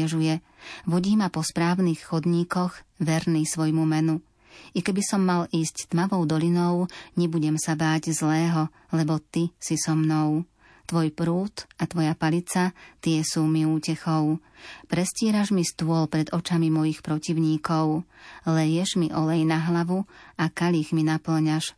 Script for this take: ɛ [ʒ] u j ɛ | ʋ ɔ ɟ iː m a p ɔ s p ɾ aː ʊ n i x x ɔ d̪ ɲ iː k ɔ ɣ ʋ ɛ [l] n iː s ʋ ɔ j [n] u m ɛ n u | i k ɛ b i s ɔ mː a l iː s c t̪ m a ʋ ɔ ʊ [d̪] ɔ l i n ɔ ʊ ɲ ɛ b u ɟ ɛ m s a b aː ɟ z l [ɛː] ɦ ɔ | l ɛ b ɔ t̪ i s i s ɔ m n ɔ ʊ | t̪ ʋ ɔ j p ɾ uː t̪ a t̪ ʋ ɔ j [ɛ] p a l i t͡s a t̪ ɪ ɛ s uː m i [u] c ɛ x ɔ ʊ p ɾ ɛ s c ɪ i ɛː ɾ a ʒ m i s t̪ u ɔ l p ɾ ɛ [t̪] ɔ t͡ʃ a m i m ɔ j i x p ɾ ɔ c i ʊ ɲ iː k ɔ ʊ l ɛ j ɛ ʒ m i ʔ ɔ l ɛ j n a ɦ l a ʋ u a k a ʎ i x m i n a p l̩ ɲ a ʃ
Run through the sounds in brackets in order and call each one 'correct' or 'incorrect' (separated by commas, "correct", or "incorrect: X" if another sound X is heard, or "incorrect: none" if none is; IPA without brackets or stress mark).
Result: correct, incorrect: ɾ, incorrect: m, correct, correct, incorrect: a, incorrect: uː, incorrect: d̪